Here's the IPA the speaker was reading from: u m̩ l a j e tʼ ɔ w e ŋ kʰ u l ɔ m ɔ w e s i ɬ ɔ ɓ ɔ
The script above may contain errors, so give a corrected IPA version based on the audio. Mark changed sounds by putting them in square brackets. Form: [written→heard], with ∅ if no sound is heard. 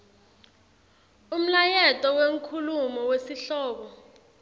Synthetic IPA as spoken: u m̩ l a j [e→ɛ] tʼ ɔ w e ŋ kʰ u l [ɔ→u] m ɔ w e s i ɬ [ɔ→ɔː] ɓ ɔ